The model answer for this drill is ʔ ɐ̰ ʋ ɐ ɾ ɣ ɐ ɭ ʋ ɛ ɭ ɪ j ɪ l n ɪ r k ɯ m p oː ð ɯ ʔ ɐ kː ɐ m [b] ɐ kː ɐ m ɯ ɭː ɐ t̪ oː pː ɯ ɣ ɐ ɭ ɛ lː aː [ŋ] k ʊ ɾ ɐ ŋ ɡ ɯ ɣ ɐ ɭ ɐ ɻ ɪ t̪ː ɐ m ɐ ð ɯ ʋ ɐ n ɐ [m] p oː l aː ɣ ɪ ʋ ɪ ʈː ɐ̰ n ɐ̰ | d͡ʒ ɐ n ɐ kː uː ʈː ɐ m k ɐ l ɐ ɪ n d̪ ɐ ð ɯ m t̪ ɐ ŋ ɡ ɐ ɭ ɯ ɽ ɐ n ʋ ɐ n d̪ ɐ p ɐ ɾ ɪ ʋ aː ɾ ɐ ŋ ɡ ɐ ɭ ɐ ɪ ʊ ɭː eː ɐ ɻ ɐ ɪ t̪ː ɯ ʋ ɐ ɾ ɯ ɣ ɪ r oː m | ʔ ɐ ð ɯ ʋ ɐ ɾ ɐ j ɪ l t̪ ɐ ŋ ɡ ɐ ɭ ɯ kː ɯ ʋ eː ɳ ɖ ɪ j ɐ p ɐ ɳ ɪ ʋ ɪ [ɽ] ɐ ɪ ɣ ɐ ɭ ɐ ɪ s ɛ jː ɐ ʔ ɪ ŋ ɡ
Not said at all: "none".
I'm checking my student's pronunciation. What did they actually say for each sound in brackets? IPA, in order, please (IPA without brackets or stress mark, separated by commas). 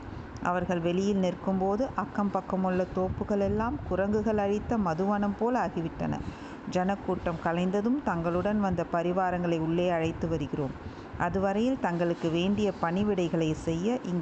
p, m, m, ɽ